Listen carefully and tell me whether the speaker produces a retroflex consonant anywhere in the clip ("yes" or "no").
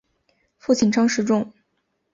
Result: yes